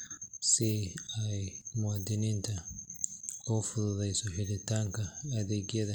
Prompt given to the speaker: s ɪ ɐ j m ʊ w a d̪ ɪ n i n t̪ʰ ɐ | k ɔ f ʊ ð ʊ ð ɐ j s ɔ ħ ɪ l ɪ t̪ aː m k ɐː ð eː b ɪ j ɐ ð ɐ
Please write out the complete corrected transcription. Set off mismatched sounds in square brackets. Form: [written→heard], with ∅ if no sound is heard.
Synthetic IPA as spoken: s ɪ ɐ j m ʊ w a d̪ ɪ n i n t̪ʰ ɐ | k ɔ f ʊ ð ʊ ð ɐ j s ɔ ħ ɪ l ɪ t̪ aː [m→ŋ] k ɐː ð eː [b→ɡ] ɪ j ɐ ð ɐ